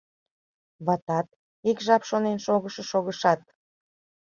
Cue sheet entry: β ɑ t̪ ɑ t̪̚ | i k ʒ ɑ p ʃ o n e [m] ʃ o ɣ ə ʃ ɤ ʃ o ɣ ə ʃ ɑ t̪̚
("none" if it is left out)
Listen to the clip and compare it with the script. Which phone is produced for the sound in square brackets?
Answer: n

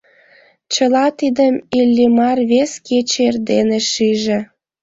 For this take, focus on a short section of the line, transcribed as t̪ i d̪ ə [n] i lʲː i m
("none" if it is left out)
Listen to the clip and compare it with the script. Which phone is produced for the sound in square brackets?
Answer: m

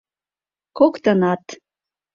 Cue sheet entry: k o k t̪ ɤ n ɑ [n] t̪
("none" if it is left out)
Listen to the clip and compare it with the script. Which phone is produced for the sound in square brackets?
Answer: none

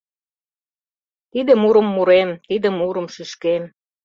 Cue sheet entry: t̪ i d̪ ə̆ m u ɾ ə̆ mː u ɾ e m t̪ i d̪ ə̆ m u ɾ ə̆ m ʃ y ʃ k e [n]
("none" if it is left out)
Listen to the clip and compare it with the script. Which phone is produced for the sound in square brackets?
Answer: m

